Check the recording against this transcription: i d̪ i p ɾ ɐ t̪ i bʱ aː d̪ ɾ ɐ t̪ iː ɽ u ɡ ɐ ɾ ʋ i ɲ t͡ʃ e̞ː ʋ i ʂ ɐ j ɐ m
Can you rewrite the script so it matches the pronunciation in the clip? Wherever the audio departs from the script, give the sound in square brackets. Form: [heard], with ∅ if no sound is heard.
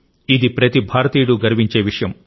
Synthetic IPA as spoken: i d̪ i p ɾ ɐ t̪ i bʱ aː [∅] ɾ ɐ t̪ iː ɽ u ɡ ɐ ɾ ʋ i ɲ t͡ʃ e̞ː ʋ i ʂ ɐ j ɐ m